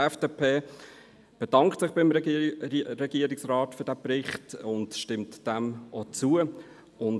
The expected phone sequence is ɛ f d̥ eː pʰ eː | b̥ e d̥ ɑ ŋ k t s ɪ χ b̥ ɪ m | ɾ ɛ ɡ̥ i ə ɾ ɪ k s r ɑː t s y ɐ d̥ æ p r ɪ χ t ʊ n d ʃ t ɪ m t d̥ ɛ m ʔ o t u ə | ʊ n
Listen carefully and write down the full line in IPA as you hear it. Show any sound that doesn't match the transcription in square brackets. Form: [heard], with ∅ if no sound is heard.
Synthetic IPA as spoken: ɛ f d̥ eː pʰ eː | b̥ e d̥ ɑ ŋ k t s ɪ χ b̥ ɪ m | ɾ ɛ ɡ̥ i ə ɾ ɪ k s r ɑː t [f] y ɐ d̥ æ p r ɪ χ t ʊ n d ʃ t ɪ m t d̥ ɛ m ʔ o [t͡s] u ə | ʊ n